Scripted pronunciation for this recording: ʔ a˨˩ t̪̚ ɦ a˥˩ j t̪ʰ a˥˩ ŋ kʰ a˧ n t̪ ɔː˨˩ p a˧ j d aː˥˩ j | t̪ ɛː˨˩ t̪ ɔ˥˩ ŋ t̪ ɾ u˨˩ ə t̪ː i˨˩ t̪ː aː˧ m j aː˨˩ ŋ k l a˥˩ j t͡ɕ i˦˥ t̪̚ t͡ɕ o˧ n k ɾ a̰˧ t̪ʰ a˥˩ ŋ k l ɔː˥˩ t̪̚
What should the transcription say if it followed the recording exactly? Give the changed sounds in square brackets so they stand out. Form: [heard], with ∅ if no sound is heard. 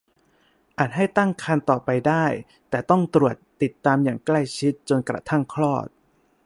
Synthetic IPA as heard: ʔ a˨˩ t̪̚ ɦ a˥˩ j [t̪] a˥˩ ŋ kʰ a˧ n t̪ ɔː˨˩ p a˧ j d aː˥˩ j | t̪ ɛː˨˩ t̪ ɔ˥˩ ŋ t̪ ɾ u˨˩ ə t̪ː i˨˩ t̪ː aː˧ m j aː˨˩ ŋ k l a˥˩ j [t͡ɕʰ] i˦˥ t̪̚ t͡ɕ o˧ n k ɾ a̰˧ t̪ʰ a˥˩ ŋ [kʰ] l ɔː˥˩ t̪̚